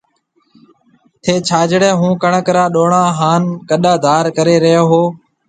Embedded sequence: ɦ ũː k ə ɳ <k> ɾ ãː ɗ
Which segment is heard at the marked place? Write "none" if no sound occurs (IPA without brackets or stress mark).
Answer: k